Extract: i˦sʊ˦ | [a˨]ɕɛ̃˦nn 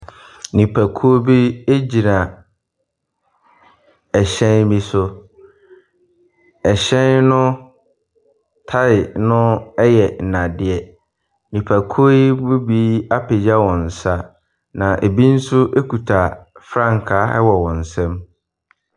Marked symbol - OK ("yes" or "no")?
no